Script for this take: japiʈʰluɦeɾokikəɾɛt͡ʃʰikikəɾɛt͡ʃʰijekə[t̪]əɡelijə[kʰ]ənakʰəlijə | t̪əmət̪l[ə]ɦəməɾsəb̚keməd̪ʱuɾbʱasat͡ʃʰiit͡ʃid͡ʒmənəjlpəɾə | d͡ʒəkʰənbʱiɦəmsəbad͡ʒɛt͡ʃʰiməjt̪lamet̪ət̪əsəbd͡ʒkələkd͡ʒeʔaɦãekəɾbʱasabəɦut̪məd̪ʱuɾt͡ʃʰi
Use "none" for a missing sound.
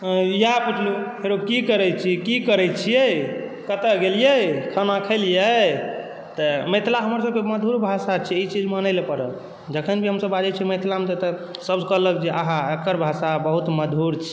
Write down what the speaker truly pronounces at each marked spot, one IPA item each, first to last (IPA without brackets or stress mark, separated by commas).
t̪, kʰ, a